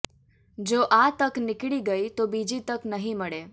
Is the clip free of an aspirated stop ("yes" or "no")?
yes